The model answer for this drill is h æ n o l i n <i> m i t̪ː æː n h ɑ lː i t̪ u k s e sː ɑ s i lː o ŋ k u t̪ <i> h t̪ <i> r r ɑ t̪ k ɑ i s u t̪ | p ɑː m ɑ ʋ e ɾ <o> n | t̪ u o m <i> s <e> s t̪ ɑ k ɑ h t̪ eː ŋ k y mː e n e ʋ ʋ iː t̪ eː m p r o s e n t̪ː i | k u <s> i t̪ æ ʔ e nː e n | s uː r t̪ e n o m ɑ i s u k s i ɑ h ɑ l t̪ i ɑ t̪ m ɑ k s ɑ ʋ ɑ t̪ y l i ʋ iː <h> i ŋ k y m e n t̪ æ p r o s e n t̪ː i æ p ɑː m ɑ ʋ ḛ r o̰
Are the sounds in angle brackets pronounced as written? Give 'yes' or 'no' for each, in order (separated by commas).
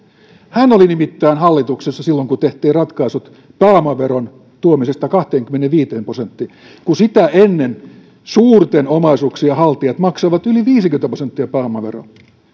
yes, no, no, yes, yes, yes, yes, no